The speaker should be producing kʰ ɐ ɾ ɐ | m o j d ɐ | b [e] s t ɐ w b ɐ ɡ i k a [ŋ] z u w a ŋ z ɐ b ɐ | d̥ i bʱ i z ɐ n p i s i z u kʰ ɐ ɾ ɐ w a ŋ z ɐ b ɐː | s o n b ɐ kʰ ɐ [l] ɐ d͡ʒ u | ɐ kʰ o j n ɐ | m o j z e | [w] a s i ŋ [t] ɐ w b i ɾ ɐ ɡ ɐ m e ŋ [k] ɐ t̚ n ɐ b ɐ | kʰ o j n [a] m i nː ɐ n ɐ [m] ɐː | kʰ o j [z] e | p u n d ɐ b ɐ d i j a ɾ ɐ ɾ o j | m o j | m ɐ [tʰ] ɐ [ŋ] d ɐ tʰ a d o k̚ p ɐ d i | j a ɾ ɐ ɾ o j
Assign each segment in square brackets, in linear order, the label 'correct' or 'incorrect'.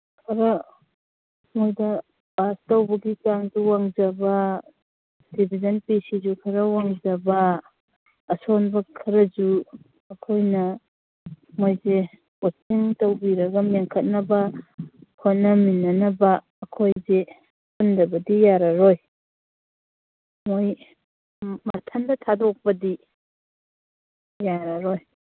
incorrect: a, correct, incorrect: ɾ, correct, correct, incorrect: kʰ, incorrect: ɐ, incorrect: b, correct, correct, incorrect: n

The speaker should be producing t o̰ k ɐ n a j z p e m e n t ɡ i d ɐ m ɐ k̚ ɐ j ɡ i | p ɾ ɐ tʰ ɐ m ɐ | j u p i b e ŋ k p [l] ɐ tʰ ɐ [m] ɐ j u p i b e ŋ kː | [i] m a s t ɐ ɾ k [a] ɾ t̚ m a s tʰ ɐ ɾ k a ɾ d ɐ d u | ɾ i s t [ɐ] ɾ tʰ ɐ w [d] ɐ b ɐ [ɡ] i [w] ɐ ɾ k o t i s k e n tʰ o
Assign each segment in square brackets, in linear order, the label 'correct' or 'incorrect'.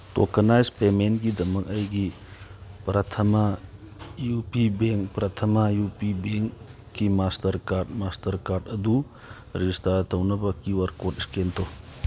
incorrect: ɾ, correct, correct, correct, incorrect: a, incorrect: n, incorrect: k, correct

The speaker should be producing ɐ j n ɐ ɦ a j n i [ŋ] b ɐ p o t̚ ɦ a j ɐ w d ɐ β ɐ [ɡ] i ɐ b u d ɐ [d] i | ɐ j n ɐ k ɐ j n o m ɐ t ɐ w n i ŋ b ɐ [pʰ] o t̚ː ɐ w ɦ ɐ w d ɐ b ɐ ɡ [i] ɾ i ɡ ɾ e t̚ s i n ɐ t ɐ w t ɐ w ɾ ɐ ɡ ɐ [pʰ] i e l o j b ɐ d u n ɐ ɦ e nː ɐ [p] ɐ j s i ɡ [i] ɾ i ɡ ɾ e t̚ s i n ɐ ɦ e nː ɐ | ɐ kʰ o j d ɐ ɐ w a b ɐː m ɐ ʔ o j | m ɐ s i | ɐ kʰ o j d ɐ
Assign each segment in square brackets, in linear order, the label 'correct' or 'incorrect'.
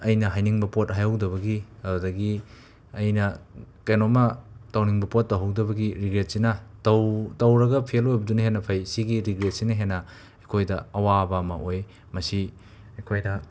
correct, correct, incorrect: ɡ, incorrect: p, correct, correct, incorrect: pʰ, correct

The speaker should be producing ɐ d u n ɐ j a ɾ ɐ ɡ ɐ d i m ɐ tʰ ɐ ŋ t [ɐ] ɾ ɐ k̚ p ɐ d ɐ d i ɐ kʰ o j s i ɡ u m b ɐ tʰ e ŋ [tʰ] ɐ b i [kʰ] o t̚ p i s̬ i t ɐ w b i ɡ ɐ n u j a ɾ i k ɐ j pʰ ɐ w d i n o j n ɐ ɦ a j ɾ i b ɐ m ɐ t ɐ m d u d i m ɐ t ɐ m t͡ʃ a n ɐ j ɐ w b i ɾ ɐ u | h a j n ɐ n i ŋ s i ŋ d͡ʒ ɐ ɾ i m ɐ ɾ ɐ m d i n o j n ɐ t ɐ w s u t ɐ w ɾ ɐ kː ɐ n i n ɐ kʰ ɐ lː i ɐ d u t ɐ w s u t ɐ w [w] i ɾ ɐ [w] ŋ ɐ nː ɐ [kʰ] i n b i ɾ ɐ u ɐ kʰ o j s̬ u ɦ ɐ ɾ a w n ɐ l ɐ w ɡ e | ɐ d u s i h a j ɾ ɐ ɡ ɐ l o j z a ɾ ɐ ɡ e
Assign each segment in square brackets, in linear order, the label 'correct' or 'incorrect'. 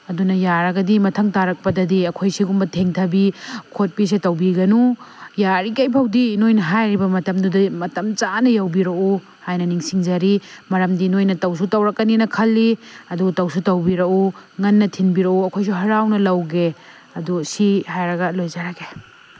incorrect: a, correct, correct, incorrect: b, incorrect: u, incorrect: tʰ

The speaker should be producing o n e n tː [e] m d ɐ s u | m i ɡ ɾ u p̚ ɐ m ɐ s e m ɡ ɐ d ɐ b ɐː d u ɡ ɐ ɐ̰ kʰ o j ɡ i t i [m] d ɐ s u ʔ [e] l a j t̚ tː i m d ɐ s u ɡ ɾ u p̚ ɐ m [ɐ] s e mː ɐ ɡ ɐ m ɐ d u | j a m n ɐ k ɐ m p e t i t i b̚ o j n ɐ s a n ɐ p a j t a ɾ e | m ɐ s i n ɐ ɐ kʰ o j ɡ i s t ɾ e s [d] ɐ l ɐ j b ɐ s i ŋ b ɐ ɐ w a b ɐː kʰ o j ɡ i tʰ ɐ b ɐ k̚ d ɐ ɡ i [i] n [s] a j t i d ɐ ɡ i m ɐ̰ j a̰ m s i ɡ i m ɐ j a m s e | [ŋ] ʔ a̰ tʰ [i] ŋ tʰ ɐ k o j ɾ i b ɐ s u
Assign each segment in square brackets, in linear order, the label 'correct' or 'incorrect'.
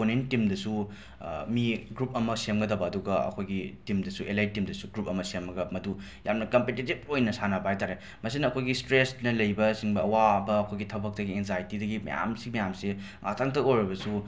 incorrect: i, correct, correct, correct, incorrect: n, incorrect: e, incorrect: z, correct, incorrect: a

